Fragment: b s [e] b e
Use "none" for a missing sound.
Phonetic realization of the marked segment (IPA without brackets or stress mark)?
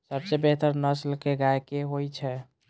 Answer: e